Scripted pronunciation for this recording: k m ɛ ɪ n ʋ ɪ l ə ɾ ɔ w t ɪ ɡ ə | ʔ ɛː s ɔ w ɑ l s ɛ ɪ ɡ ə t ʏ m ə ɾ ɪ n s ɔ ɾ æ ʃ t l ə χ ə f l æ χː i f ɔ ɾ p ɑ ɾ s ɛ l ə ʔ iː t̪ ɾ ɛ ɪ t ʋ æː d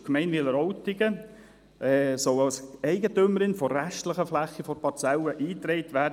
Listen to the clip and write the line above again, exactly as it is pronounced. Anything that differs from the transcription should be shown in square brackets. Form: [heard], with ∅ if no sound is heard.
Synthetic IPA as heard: k m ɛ ɪ n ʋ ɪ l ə ɾ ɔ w t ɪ ɡ ə | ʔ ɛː s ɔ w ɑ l s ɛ ɪ ɡ ə t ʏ m ə ɾ ɪ n [f] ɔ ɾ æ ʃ t l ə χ ə f l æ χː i f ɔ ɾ p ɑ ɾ [t͡s] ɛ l ə ʔ iː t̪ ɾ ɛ ɪ t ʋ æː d

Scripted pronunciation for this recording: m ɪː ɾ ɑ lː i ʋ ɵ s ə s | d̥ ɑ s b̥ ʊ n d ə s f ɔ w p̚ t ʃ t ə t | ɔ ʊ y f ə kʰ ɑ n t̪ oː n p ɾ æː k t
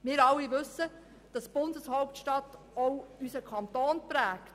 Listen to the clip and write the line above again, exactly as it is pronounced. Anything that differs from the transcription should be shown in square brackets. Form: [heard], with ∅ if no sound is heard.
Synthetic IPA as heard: m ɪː ɾ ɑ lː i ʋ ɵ s ə [∅] | d̥ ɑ s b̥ ʊ n d ə s [h] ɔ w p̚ t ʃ t [ɑ] t | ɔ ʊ y [s] ə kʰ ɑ n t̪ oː n p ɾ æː k t

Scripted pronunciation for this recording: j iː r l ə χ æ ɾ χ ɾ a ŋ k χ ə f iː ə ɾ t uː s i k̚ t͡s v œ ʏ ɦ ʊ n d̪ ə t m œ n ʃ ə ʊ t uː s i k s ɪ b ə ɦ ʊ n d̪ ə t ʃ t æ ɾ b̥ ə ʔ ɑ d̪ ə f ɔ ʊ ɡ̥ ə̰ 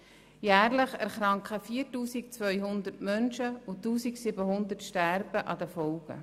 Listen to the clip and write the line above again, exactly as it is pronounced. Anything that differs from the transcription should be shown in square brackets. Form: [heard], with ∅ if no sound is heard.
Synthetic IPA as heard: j [æː] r l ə χ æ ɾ χ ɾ [ɑ] ŋ k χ ə f iː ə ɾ t uː s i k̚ t͡s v œ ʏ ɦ ʊ n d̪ ə t m œ n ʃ ə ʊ t uː s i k s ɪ b ə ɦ ʊ n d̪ ə t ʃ t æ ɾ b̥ ə ʔ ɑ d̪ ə f ɔ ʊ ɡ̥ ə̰

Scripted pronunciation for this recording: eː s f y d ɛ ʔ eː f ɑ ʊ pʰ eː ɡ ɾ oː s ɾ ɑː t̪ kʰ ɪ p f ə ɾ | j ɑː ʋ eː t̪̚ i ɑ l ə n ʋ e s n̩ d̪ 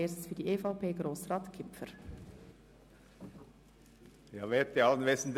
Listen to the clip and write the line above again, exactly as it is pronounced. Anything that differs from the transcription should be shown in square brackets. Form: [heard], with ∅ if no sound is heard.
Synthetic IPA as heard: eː s f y d [i] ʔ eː f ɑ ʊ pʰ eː ɡ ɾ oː s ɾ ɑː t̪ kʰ ɪ p f ə ɾ | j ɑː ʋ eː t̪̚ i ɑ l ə n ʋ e s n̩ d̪

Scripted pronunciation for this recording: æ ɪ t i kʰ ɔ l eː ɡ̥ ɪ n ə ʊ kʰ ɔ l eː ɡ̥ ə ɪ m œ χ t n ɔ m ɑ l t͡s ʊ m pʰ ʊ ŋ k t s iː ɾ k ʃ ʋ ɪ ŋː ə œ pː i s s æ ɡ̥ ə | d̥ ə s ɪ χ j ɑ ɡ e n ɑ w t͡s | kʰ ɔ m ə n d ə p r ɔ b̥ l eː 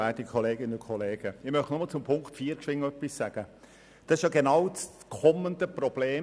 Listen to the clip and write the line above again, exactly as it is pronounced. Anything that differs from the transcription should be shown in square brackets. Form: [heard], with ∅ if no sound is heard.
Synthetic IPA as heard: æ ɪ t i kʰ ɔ l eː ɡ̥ ɪ n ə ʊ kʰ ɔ l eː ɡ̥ ə ɪ m œ χ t n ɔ m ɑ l t͡s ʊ m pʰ ʊ ŋ k t [f] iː ɾ k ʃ ʋ ɪ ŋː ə œ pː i s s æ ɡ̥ ə | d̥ [ɑ] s ɪ [ʃ] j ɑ ɡ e n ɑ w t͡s | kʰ ɔ m ə n d ə p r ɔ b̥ l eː

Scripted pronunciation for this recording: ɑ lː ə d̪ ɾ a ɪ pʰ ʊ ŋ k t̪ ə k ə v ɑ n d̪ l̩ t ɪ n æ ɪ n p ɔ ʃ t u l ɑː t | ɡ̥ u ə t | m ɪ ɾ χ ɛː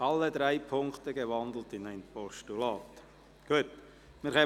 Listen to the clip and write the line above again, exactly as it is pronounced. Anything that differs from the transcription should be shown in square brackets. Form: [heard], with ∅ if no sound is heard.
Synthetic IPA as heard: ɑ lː ə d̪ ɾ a ɪ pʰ ʊ ŋ k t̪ ə [ɡ] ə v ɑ n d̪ l̩ t ɪ n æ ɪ n p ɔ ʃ t u l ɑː t | ɡ̥ u ə t | m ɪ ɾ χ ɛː

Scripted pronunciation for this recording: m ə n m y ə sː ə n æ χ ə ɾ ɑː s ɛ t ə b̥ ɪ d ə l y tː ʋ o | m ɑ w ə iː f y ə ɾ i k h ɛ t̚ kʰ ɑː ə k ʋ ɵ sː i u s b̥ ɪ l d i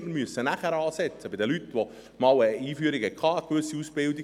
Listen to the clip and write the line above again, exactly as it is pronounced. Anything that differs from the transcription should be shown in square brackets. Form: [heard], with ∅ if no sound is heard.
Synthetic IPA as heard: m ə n m y ə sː ə n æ χ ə ɾ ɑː s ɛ [t͡s] ə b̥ ɪ d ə l y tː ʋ o | m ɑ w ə iː f y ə ɾ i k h ɛ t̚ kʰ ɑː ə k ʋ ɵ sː i u s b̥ ɪ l d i

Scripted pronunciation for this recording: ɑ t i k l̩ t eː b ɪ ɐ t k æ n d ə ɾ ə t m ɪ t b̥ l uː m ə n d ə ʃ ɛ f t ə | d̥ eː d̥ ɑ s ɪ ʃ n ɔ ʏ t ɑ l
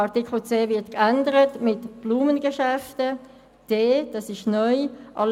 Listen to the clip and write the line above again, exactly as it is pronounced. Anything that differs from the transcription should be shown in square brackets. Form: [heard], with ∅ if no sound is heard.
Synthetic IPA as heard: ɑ t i k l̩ [t͡s] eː [v] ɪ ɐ t k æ n d ə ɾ ə t m ɪ t b̥ l uː m ə n [ɡ] ə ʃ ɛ f t ə | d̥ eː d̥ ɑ s ɪ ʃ n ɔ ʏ [ʔ] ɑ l

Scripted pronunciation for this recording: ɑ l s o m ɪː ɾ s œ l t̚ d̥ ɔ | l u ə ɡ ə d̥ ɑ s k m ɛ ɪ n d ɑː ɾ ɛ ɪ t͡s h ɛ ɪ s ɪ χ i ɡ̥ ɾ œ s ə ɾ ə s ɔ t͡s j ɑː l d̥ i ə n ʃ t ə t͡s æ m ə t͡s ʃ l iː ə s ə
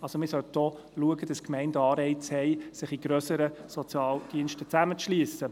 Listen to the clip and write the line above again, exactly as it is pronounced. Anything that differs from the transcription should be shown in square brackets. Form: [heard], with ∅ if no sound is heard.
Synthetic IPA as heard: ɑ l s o m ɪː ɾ s œ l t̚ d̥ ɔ | l u ə ɡ ə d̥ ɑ s k m ɛ ɪ n d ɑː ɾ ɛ ɪ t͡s h ɛ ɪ s ɪ χ i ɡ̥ ɾ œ s ə ɾ ə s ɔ t͡s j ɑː l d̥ i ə n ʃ t ə t͡s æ m ə t͡s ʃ l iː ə s ə

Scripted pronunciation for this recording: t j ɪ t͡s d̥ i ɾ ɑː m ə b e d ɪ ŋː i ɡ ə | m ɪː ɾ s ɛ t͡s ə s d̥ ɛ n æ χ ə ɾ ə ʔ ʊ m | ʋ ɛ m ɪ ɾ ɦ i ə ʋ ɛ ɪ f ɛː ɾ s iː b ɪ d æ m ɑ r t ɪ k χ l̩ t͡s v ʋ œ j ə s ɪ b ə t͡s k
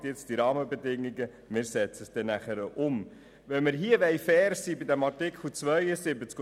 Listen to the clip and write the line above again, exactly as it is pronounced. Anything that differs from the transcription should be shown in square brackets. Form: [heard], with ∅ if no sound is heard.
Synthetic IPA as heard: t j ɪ t͡s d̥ i ɾ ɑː m ə b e d ɪ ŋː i ɡ ə | m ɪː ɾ s ɛ t͡s ə s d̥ ɛ n æ χ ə ɾ ə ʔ ʊ m | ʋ ɛ m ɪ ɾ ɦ i ə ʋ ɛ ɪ f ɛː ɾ s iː b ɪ d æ m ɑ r t ɪ k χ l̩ t͡s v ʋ œ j ə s ɪ b ə t͡s k

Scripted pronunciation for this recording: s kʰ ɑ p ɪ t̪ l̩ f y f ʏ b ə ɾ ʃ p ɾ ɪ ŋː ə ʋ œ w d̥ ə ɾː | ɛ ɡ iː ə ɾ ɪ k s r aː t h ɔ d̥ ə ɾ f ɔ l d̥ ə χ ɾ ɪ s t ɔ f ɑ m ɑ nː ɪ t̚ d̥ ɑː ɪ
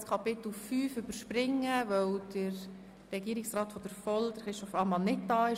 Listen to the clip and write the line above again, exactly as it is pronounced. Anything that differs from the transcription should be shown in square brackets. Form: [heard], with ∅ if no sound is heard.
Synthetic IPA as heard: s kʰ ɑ p ɪ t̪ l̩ f [yː] f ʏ b ə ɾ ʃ p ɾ ɪ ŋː ə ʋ œ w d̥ ə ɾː | ɛ ɡ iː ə ɾ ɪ k s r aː t [f] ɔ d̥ ə ɾ f ɔ l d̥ ə χ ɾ ɪ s t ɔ f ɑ m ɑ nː ɪ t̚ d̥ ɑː ɪ

